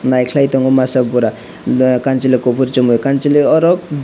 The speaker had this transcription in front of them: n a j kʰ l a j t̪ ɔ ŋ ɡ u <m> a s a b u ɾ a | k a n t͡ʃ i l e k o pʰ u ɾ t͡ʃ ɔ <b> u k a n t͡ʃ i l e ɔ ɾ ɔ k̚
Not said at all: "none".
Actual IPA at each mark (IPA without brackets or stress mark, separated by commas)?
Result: m, m